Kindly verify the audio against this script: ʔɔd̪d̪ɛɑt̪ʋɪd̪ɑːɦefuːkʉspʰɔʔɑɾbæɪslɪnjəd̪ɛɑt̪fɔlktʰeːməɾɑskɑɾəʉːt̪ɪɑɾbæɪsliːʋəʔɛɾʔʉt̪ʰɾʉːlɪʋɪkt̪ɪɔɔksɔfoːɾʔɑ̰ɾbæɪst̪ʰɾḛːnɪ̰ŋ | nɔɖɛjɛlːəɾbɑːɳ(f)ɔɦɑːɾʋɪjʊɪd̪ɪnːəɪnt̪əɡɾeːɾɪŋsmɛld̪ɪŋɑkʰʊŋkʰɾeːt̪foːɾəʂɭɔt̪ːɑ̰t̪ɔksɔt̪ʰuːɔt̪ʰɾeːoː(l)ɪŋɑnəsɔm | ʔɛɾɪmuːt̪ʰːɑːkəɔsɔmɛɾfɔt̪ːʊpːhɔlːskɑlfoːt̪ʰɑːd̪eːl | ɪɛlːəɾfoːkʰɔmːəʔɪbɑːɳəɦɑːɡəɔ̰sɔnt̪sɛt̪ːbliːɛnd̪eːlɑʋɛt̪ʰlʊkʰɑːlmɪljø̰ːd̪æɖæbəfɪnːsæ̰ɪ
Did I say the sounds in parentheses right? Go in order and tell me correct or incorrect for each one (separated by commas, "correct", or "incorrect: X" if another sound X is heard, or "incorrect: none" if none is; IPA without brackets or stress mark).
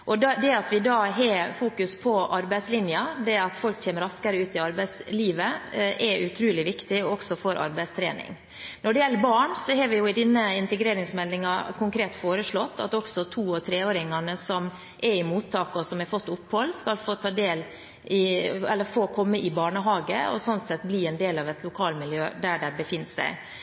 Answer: incorrect: s, incorrect: ɾ